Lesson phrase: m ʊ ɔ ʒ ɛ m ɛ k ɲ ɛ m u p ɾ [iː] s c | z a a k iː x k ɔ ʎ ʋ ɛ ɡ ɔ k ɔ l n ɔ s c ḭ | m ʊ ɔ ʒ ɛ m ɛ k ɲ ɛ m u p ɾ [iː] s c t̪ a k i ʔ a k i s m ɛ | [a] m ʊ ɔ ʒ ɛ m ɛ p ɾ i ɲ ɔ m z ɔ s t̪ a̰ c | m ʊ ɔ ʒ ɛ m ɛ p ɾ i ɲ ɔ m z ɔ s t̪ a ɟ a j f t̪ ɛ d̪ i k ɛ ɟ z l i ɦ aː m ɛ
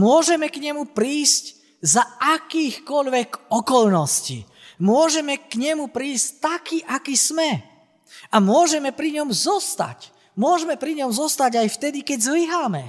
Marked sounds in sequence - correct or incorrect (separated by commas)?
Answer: correct, correct, correct